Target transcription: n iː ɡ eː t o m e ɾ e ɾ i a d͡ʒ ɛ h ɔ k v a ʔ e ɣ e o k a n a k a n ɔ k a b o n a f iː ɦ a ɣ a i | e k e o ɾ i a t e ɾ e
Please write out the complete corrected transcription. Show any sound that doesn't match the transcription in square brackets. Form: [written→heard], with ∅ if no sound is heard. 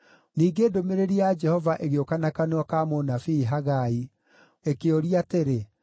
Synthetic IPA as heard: n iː ɡ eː [t→d] o m e ɾ e ɾ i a d͡ʒ ɛ h ɔ [k→∅] v a ʔ e ɣ e o k a n a k a n ɔ k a [b→m] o n a f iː ɦ a ɣ a i | e k e o ɾ i a t e ɾ e